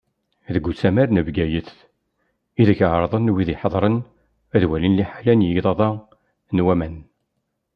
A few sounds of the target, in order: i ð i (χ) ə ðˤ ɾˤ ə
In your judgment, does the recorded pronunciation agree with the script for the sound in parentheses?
no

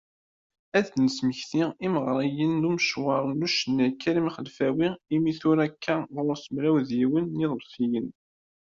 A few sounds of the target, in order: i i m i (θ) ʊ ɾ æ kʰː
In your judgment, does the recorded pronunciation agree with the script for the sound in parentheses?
yes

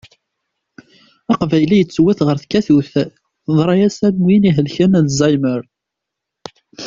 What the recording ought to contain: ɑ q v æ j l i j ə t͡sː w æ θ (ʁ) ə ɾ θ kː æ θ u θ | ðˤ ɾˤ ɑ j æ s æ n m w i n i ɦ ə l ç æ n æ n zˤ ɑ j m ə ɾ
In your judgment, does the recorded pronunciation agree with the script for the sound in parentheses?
yes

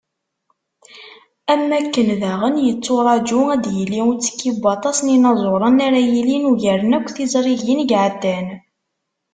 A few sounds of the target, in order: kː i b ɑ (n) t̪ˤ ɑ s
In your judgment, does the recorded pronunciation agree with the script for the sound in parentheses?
no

